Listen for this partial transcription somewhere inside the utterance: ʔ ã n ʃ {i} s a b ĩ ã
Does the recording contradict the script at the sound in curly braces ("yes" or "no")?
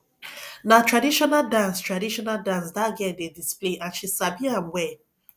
no